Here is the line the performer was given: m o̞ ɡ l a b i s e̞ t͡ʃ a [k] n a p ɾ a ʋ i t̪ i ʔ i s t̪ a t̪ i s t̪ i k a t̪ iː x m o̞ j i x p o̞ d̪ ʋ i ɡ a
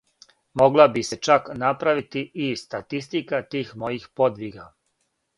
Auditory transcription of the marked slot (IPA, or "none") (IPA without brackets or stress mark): k